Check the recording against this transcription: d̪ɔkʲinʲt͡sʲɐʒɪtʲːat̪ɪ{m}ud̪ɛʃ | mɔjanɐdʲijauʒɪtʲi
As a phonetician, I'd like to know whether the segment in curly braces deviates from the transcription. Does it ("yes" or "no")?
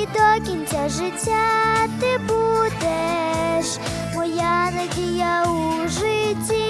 yes